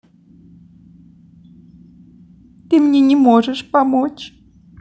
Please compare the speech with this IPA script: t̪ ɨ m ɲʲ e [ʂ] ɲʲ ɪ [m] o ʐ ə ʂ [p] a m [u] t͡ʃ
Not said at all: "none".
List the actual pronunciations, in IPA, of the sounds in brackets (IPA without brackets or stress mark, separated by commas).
none, m, p, o